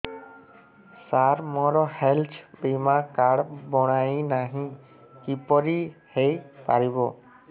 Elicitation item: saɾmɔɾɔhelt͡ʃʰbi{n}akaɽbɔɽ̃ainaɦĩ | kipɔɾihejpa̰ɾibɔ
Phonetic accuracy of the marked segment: incorrect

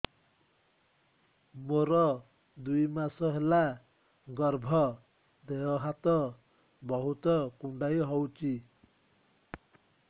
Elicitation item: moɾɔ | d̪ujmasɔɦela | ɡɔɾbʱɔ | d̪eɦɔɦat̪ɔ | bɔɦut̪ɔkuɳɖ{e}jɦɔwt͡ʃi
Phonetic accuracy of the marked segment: incorrect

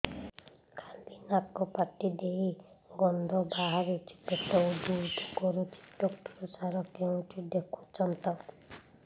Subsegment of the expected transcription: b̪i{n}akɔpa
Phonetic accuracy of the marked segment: correct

